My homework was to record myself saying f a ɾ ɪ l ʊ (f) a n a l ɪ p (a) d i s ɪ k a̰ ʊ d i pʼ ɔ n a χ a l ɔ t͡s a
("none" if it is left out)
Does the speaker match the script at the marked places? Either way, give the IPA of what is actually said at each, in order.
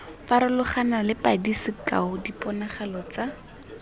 χ, a

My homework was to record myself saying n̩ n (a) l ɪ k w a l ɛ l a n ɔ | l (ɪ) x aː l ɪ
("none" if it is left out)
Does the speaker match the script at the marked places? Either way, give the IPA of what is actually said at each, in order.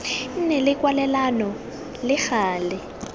ɛ, ɪ

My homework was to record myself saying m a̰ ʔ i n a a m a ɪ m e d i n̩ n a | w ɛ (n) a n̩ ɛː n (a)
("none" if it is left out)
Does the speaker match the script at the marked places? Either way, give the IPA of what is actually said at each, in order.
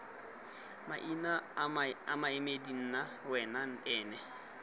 n, ɛ

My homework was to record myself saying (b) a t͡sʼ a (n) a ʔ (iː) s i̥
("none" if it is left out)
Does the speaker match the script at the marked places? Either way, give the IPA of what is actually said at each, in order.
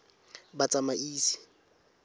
b, m, iː

